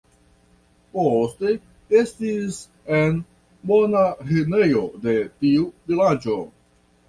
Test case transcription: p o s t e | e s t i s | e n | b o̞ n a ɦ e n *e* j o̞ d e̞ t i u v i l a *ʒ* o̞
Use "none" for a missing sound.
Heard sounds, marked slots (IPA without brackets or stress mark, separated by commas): e, d͡ʒ